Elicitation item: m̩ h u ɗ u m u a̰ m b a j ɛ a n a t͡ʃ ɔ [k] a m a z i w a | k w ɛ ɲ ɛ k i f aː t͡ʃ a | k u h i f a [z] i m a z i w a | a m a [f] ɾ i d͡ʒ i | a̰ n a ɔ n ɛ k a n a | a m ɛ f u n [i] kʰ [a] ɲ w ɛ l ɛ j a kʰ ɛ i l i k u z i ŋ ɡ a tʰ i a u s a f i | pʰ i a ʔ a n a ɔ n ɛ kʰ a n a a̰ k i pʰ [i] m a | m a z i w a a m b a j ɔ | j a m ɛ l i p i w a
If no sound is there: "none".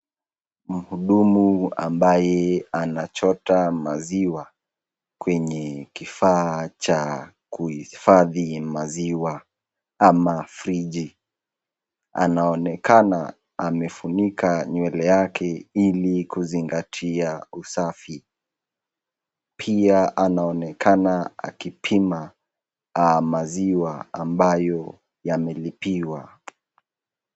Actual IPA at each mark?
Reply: t, ð, f, i, a, i

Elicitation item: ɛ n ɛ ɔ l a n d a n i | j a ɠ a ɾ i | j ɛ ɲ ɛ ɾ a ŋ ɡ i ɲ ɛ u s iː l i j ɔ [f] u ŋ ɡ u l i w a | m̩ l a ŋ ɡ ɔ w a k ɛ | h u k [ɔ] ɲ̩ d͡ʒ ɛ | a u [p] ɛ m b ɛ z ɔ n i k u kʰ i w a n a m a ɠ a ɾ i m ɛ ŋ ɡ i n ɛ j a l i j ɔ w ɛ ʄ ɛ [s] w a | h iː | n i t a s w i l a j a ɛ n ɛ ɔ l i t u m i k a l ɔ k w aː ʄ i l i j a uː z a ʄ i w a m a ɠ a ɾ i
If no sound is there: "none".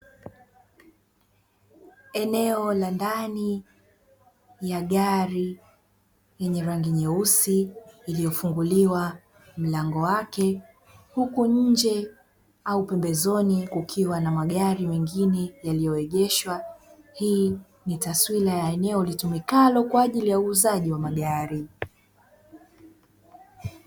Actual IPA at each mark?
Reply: f, u, p, ʃ

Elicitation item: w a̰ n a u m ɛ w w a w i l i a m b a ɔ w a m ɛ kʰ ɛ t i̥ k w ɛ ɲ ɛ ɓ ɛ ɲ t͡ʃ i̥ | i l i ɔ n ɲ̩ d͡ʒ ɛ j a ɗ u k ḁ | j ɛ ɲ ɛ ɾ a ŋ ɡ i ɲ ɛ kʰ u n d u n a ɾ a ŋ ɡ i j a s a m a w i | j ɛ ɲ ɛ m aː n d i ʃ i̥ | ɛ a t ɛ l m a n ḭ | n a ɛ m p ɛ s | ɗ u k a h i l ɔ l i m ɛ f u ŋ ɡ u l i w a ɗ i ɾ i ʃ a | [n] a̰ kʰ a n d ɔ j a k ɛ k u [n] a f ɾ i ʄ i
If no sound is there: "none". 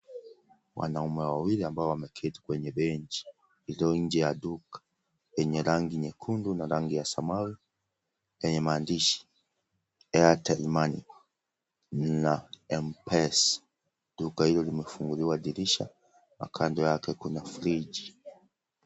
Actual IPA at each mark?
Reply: m, n

